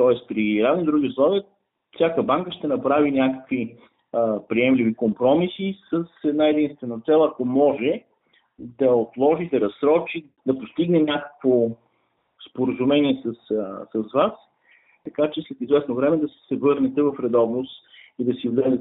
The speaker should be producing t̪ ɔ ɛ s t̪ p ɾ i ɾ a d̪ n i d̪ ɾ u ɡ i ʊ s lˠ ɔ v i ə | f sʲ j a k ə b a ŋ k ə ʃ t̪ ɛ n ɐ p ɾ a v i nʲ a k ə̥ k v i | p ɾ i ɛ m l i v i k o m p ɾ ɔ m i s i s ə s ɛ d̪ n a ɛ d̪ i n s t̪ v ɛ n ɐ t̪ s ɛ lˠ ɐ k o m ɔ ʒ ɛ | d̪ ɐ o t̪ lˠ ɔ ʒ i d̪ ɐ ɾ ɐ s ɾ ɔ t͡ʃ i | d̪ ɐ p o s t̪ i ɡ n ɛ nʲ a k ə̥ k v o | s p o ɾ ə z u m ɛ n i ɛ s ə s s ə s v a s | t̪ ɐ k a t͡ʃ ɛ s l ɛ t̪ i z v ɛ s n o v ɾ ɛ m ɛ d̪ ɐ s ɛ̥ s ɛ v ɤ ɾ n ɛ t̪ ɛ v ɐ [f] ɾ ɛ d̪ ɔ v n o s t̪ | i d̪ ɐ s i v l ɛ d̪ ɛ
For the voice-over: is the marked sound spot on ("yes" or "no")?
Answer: yes